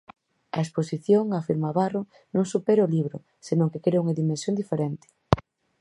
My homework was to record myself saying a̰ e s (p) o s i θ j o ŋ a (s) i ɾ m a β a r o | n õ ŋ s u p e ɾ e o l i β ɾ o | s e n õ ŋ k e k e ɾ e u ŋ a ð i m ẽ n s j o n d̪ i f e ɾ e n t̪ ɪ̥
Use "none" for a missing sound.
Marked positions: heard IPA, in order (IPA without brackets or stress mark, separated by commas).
p, f